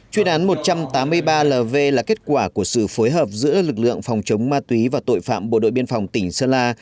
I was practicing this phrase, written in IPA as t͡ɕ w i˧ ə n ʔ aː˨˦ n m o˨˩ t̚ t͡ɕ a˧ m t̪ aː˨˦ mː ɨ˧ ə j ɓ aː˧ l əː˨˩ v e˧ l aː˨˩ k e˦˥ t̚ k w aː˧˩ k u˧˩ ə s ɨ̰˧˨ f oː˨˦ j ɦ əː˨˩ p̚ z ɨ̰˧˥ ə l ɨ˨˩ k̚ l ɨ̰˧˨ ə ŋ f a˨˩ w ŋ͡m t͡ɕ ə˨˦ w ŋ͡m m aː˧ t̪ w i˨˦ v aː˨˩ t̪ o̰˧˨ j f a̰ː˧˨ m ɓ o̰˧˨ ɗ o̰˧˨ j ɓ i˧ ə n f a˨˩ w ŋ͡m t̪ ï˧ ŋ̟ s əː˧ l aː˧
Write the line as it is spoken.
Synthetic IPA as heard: t͡ɕ w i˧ ə n ʔ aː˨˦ n m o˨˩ t̚ t͡ɕ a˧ m t̪ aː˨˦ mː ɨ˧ ə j ɓ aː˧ l əː˨˩ v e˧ l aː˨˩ k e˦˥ t̚ k w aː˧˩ k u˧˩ ə s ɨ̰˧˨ f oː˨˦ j ɦ əː˨˩ p̚ z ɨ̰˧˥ ə l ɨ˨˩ k̚ l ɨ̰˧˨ ə ŋ f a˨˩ w ŋ͡m t͡ɕ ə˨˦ w ŋ͡m m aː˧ t̪ w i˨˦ v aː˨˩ t̪ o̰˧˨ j f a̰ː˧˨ m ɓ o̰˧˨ ɗ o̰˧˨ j ɓ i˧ ə n f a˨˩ w ŋ͡m t̪ ï˧˩ ŋ̟ s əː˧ l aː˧